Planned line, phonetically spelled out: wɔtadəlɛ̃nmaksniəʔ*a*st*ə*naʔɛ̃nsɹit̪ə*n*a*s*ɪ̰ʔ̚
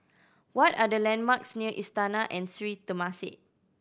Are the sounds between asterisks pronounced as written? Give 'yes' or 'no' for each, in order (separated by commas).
no, no, no, yes